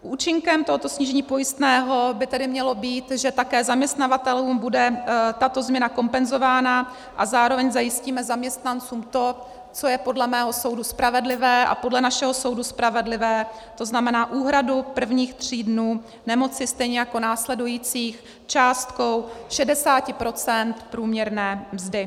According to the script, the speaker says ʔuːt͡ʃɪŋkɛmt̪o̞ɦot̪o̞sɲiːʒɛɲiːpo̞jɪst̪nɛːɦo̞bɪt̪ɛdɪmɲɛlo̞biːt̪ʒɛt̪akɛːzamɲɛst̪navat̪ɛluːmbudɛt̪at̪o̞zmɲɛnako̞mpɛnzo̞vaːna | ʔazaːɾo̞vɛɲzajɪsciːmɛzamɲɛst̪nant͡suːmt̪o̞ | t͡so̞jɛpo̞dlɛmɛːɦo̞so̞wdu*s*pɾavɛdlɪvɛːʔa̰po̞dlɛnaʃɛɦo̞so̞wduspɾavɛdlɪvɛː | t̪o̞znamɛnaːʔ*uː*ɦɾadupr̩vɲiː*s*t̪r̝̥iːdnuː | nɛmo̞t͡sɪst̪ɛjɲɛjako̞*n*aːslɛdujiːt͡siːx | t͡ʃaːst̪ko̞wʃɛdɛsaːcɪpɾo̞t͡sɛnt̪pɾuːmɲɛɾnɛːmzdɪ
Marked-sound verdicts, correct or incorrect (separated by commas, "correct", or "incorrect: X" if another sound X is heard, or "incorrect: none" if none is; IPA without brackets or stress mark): correct, correct, incorrect: x, correct